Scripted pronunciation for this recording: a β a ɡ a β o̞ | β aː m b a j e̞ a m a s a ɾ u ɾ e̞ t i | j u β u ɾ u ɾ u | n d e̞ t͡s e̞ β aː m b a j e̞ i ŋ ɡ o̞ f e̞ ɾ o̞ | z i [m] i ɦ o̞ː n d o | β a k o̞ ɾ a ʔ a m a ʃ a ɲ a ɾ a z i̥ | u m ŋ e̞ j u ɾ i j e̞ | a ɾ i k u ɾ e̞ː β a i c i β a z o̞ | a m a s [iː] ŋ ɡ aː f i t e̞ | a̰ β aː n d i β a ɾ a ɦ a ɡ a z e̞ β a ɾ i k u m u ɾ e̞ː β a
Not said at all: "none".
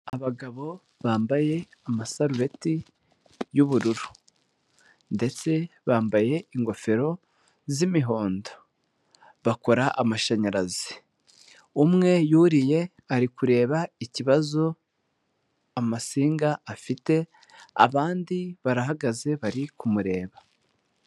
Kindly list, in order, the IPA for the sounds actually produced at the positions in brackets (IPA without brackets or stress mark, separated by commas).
m, iː